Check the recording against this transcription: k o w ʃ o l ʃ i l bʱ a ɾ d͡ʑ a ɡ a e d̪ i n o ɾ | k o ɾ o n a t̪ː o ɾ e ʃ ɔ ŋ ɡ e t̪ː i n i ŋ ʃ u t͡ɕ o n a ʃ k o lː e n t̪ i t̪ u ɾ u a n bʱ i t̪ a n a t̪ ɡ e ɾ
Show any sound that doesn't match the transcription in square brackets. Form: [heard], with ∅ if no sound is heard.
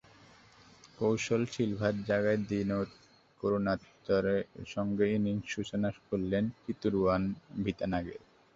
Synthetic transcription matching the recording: k o w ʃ o l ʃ i l bʱ a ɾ d͡ʑ a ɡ a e d̪ i n o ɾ | k o ɾ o n a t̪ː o ɾ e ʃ ɔ ŋ ɡ e [∅] i n i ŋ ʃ u t͡ɕ o n a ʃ k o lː e n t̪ i t̪ u ɾ u a n bʱ i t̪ a n a [∅] ɡ e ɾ